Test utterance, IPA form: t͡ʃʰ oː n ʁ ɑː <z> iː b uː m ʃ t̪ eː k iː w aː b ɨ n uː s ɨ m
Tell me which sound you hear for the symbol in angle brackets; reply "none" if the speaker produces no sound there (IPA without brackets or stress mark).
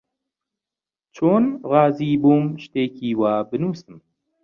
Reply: z